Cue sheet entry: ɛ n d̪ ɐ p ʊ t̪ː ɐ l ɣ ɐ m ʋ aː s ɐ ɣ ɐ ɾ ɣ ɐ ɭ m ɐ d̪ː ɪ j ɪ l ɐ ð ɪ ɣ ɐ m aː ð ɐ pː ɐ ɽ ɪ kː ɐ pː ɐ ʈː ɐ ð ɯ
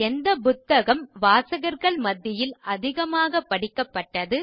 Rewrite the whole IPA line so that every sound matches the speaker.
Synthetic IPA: ɛ n d̪ ɐ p ʊ t̪ː ɐ ɣ ɐ m ʋ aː s ɐ ɣ ɐ ɾ ɣ ɐ ɭ m ɐ d̪ː ɪ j ɪ l ɐ ð ɪ ɣ ɐ m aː ɣ ɐ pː ɐ ɽ ɪ kː ɐ pː ɐ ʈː ɐ ð ɯ